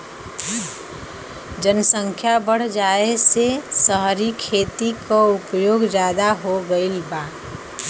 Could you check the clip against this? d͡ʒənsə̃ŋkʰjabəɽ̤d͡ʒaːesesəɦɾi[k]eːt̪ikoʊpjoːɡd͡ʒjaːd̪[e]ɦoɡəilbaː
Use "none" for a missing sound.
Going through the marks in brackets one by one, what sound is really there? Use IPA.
kʰ, a

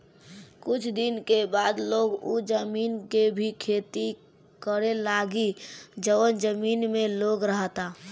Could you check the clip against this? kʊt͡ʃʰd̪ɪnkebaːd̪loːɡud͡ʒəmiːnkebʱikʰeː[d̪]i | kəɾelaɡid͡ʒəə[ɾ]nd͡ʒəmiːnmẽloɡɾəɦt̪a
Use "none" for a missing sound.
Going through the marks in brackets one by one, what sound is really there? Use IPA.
t̪, none

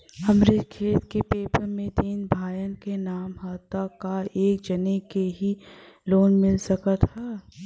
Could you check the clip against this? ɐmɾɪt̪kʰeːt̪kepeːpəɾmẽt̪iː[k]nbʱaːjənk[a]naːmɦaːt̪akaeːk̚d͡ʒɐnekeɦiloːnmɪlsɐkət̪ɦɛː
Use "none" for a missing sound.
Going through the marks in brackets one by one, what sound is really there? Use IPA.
none, e

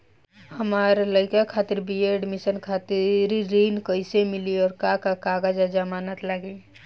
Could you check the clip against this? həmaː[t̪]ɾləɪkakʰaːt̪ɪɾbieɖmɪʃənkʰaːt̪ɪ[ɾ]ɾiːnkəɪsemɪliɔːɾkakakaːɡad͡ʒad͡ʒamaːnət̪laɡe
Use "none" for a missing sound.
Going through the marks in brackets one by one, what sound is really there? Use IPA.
none, ɾ

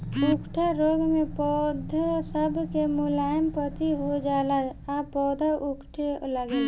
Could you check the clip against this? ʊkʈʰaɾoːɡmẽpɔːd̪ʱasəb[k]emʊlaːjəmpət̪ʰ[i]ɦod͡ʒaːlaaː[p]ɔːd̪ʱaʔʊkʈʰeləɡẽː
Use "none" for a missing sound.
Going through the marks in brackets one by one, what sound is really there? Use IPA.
k, i, p

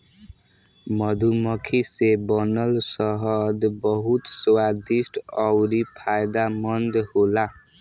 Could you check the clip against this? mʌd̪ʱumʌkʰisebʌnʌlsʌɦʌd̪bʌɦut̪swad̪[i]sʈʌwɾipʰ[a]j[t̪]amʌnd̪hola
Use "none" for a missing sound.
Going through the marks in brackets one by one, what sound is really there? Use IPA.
i, a, d̪

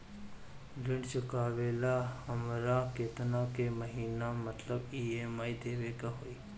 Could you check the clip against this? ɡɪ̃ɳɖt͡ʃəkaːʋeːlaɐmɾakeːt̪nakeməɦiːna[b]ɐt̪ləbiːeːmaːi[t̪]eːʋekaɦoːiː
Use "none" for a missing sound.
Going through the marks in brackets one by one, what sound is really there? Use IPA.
m, d̪

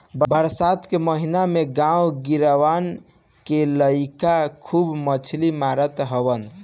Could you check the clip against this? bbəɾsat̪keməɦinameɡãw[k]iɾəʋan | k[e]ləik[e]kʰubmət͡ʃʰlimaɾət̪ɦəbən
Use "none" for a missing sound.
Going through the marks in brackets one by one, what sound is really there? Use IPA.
ɡ, e, a

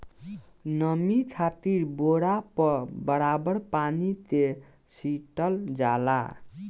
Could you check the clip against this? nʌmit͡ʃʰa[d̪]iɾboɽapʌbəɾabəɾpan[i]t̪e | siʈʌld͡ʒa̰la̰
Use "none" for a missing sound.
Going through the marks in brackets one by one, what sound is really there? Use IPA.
t̪, i

